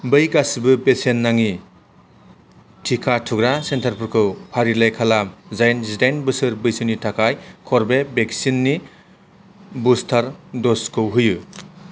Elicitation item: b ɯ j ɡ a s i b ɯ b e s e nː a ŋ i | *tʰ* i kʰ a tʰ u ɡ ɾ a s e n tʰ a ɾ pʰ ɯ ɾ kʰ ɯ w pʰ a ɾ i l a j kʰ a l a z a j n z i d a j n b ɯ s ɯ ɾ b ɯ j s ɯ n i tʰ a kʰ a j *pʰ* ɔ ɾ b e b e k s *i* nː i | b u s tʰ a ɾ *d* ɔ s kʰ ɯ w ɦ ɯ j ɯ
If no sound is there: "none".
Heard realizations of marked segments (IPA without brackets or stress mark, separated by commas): tʰ, kʰ, i, d